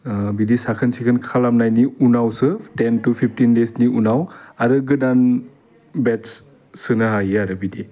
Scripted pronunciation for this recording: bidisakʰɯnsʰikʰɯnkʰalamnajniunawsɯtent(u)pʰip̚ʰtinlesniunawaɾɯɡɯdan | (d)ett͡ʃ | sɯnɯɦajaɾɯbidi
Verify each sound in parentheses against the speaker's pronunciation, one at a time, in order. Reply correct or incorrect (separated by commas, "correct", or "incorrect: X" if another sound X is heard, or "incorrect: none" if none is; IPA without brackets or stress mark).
correct, incorrect: b